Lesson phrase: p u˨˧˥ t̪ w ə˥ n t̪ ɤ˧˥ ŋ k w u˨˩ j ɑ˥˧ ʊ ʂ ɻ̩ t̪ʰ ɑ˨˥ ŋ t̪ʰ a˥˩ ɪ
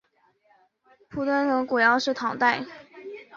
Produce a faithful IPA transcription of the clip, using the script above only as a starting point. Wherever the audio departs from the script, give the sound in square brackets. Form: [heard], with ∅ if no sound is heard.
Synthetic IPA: [pʰ] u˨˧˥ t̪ w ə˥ n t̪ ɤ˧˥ ŋ k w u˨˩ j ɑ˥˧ ʊ ʂ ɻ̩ t̪ʰ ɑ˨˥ ŋ [t̪] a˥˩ ɪ